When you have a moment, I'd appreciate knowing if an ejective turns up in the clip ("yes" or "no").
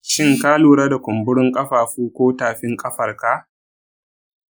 yes